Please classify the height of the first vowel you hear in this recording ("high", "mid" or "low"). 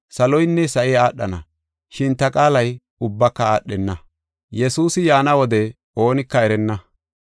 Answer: low